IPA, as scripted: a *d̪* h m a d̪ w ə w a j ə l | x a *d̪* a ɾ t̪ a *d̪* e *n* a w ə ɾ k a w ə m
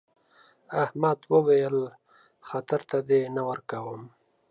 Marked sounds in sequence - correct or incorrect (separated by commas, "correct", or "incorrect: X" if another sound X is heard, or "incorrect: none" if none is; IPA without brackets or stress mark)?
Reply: incorrect: none, incorrect: t̪, correct, correct